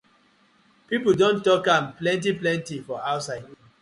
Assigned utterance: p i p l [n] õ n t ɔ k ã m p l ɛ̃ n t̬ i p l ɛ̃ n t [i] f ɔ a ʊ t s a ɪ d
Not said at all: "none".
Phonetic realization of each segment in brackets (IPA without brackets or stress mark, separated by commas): d, i